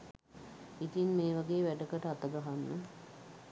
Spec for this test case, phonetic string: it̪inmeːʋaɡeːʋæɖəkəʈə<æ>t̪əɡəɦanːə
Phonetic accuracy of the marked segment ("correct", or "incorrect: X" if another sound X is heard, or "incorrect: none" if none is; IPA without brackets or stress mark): incorrect: a